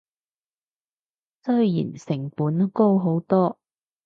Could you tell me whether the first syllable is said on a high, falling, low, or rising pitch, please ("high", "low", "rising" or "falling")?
high